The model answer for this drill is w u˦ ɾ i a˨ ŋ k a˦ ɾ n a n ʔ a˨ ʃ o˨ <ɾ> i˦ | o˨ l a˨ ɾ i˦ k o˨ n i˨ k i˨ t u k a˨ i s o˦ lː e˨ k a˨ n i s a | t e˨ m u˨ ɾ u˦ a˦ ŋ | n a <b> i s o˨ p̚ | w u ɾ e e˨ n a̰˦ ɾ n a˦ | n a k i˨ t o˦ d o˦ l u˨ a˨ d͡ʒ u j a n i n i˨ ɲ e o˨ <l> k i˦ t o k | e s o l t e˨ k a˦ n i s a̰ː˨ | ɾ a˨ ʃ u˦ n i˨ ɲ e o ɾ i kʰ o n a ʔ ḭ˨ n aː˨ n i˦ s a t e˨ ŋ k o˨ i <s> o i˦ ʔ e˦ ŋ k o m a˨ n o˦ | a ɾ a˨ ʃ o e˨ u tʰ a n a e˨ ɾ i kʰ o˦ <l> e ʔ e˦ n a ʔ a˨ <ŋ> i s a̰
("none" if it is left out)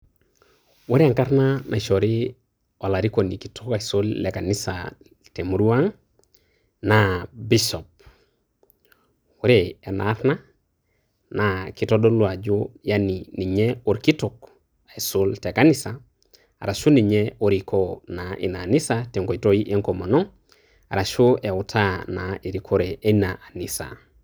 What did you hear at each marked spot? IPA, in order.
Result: ɾ, b, ɾ, t, ɾ, n

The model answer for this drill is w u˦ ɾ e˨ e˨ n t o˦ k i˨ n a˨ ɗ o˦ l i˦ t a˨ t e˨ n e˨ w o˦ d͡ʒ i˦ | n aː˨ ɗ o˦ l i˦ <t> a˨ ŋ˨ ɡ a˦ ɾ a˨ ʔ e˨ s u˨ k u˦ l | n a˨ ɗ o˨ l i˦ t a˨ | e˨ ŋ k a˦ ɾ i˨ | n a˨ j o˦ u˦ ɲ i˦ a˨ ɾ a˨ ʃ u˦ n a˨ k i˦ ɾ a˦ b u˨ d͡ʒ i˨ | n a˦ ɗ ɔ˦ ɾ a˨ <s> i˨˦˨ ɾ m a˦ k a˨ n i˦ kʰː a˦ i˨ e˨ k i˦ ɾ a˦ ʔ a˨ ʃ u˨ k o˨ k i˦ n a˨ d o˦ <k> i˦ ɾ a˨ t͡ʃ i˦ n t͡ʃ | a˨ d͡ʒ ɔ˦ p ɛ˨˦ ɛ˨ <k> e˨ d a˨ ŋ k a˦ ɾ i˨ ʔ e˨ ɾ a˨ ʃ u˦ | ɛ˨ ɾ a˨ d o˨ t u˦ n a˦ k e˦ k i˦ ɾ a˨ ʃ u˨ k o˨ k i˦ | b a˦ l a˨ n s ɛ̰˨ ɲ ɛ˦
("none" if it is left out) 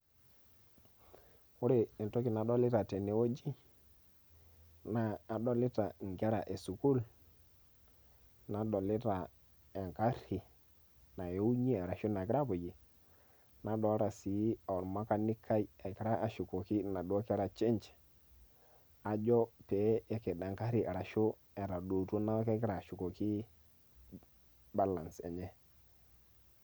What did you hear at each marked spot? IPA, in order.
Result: t, s, k, k

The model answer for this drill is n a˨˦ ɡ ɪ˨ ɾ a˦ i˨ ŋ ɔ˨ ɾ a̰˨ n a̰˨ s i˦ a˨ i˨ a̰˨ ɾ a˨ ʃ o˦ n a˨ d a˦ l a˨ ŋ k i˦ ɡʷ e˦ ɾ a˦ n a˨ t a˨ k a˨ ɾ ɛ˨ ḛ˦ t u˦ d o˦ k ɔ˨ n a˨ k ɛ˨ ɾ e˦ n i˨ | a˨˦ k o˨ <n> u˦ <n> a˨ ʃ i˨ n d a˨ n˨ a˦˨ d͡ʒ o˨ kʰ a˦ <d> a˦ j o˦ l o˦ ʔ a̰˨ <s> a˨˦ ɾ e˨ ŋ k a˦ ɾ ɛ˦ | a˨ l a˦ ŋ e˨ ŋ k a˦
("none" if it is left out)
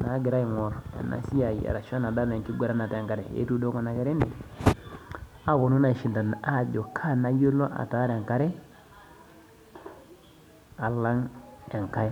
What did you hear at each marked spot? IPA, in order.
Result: n, n, n, t

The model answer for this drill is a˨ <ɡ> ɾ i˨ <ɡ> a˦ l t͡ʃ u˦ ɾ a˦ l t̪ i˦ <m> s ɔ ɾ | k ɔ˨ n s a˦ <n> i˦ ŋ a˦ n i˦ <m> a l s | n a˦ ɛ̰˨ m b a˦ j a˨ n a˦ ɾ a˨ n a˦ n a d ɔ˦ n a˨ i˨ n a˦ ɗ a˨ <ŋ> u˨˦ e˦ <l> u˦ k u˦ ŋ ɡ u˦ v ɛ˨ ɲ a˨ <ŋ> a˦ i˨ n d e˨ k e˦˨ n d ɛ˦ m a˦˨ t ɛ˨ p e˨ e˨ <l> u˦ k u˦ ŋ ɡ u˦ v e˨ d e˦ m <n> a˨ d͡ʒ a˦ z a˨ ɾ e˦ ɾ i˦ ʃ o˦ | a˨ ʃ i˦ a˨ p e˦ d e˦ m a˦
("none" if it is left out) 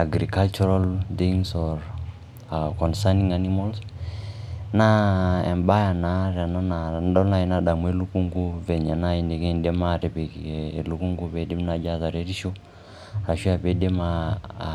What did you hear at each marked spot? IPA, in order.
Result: ɡ, k, ŋ, n, m, m, l, n, l, n

